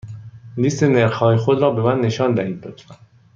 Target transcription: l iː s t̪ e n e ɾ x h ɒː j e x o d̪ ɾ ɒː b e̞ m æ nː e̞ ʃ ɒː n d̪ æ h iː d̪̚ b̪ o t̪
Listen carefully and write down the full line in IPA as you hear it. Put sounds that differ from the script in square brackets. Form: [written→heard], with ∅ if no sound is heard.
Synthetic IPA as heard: l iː s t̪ e n e ɾ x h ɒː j e x o d̪ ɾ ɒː b e̞ m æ nː e̞ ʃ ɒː n d̪ æ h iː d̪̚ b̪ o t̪